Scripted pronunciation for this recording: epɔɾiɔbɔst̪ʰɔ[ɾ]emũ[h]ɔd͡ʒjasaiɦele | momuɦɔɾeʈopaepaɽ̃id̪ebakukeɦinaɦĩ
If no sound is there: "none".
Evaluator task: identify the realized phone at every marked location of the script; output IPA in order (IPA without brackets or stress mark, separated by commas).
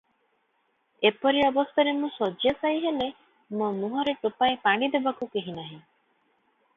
ɾ, s